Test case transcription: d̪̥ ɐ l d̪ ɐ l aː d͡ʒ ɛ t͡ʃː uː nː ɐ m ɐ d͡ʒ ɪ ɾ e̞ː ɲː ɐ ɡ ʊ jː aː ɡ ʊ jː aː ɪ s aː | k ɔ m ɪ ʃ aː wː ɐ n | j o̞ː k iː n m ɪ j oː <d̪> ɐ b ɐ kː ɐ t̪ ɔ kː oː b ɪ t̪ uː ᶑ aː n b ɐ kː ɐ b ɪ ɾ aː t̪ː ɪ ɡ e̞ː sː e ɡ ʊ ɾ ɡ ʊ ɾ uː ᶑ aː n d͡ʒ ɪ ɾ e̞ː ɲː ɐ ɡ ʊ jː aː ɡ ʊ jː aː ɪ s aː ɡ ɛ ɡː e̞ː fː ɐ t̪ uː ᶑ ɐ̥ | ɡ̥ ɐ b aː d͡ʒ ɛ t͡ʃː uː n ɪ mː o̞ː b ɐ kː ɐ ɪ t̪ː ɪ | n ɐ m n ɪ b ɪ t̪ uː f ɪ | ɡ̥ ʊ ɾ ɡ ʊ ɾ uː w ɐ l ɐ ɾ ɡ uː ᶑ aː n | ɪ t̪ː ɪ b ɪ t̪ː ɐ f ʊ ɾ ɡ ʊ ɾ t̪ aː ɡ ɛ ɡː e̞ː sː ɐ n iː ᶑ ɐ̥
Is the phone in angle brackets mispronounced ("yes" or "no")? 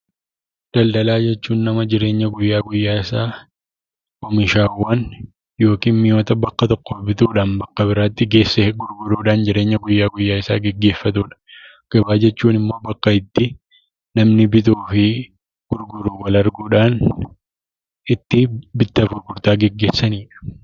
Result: yes